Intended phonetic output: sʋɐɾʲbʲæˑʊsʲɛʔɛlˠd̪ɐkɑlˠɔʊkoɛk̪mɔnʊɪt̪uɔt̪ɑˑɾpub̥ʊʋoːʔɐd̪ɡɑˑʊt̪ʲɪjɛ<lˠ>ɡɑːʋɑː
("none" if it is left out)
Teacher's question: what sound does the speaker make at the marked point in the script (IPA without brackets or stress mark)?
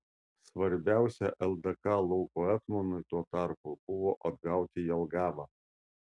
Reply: lˠ